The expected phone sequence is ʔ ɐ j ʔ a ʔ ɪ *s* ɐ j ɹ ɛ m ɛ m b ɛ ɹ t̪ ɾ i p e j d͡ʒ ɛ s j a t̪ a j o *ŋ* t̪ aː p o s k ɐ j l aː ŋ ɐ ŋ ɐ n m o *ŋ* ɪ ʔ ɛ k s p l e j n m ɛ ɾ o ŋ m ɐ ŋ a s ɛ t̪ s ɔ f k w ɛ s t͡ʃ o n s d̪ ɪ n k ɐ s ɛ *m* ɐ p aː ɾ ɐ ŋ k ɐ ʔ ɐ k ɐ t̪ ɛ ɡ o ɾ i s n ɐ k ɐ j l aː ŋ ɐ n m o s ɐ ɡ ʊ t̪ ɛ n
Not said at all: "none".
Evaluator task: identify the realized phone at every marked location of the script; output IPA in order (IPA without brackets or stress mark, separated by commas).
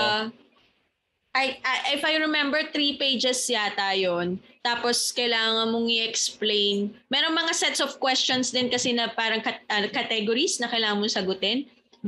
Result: f, n, ŋ, n